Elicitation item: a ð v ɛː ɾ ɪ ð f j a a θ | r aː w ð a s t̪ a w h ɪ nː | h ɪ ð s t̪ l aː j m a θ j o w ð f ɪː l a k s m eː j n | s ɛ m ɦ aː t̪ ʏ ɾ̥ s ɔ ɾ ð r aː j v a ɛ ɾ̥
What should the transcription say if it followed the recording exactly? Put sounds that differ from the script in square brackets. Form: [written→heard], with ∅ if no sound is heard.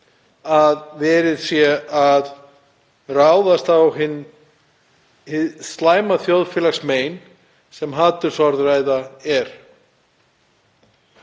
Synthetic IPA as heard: a ð v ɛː ɾ ɪ ð [f→s] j [a→ɛ] a [θ→ð] | r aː w ð a s t̪ a w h ɪ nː | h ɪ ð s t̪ l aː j m a θ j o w ð f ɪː l a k s m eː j n | s ɛ m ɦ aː t̪ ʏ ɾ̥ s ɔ ɾ ð r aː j [v→ð] a ɛ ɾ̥